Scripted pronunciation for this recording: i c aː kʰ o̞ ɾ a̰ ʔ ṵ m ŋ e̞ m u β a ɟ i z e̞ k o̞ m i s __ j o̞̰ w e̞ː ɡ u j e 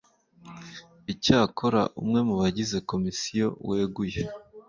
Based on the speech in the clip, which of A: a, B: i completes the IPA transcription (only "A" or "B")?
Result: B